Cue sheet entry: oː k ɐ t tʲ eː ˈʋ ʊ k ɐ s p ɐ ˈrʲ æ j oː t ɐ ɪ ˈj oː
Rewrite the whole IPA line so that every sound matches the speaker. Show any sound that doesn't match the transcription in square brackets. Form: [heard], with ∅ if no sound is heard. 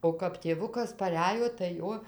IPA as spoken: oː k ɐ [p] tʲ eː ˈʋ ʊ k ɐ s p ɐ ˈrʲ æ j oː t ɐ ɪ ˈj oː